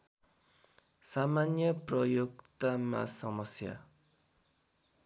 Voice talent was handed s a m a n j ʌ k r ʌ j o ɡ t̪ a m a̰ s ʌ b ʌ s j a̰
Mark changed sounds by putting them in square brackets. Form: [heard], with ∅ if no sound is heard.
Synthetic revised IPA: s a m a n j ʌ [p] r ʌ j o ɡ t̪ a m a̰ s ʌ [m] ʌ s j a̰